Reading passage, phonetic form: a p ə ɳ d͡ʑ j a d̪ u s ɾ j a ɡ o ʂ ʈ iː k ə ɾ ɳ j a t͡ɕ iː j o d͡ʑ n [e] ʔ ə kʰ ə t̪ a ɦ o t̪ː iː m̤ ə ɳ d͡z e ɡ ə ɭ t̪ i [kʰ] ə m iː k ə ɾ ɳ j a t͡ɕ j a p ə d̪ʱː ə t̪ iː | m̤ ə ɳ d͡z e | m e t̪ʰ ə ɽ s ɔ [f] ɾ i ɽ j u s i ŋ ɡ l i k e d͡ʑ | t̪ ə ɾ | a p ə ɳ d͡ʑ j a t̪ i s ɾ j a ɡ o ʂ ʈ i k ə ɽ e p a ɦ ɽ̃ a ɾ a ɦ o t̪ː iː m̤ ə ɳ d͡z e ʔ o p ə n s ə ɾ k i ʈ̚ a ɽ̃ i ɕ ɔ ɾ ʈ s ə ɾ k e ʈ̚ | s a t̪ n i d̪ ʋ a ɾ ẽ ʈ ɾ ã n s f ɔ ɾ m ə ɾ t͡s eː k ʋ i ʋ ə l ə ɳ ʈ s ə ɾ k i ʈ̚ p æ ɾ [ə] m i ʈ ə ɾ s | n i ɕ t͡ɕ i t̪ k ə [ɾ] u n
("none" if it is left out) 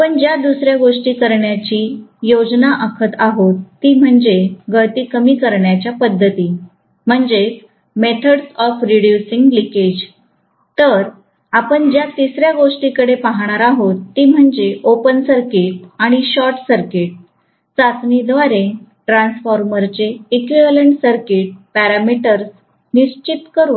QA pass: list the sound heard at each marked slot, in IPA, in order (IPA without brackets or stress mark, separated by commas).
a, k, f, a, ɾ